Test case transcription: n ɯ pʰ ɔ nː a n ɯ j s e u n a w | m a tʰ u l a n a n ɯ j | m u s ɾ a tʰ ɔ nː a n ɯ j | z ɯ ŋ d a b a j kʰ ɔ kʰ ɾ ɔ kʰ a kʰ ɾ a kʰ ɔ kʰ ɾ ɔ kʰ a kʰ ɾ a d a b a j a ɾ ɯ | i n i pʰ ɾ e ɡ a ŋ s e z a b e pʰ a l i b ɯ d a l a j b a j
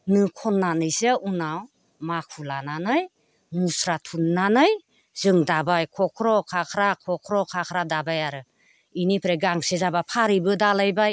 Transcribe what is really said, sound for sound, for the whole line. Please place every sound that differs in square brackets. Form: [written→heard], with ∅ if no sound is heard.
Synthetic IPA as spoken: n ɯ [pʰ→kʰ] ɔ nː a n ɯ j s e u n a w | m a [tʰ→kʰ] u l a n a n ɯ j | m u s ɾ a tʰ [ɔ→u] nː a n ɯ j | z ɯ ŋ d a b a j kʰ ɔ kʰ ɾ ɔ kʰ a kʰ ɾ a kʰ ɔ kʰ ɾ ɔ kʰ a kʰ ɾ a d a b a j a ɾ ɯ | i n i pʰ ɾ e ɡ a ŋ s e z a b [e→a] pʰ a [l→ɾ] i b ɯ d a l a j b a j